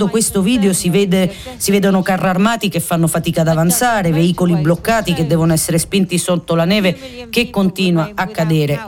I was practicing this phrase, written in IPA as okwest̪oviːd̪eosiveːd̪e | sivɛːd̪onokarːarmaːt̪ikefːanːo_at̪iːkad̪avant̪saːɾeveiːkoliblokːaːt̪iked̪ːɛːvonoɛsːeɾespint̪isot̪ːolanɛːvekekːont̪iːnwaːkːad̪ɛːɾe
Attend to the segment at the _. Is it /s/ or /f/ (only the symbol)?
f